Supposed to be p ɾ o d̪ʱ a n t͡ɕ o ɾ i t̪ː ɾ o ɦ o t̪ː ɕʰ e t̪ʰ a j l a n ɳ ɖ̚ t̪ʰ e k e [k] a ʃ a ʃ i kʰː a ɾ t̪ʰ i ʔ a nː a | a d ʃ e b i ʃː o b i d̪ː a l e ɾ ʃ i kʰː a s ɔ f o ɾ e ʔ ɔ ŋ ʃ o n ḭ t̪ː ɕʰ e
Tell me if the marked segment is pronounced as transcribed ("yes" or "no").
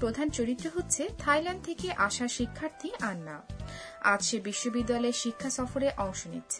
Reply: no